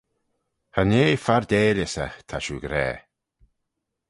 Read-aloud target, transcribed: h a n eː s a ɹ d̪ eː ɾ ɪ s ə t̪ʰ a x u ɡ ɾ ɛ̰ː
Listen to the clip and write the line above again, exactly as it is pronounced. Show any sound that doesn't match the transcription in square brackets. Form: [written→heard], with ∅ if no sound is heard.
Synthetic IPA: h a n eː [s→f] a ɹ d̪ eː [ɾ→l] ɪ s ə t̪ʰ a [x→ʃ] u ɡ ɾ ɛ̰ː